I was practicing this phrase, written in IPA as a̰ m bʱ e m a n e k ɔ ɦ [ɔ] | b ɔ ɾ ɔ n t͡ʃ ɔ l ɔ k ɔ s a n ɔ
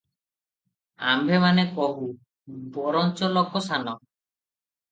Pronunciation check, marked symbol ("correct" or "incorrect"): incorrect